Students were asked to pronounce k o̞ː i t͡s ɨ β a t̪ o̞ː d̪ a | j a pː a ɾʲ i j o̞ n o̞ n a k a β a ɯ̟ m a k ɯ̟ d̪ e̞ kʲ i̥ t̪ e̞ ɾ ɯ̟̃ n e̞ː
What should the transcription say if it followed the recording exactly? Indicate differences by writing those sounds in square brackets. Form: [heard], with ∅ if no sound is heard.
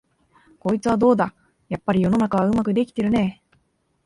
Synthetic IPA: k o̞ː i t͡s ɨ β a [d̪] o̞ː d̪ a | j a pː a ɾʲ i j o̞ n o̞ n a k a β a ɯ̟ m a k ɯ̟ d̪ e̞ kʲ i̥ t̪ e̞ ɾ [ɯ̟] n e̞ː